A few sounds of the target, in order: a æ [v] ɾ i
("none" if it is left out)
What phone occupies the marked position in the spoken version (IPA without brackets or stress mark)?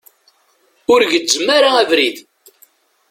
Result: v